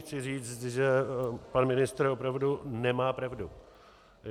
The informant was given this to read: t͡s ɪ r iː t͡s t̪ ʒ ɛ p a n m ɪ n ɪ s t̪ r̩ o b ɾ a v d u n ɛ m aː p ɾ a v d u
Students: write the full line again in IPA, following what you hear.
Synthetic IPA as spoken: t͡s ɪ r iː t͡s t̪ ʒ ɛ p a n m ɪ n ɪ s t̪ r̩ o p ɾ a v d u n ɛ m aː p ɾ a v d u